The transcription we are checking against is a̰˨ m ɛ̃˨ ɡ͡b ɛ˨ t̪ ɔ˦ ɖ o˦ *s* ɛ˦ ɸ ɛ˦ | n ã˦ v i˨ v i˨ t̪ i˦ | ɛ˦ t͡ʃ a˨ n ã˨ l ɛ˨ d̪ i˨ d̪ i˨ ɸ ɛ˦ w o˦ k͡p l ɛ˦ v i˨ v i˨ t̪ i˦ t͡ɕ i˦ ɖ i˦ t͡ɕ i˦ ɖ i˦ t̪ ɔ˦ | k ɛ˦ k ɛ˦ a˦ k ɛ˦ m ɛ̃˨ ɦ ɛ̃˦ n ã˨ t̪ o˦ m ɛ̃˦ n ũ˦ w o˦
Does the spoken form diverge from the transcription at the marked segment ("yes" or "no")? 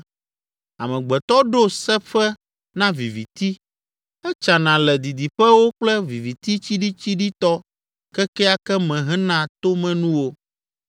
no